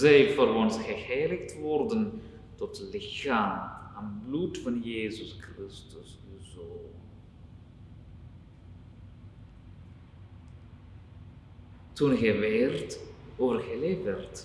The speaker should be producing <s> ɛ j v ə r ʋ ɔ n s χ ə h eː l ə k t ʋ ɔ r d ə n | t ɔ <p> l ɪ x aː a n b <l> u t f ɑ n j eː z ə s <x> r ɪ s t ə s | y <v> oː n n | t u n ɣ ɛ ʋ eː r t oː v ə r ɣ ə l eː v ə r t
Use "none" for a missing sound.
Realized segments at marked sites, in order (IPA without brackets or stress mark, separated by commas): z, t, l, k, z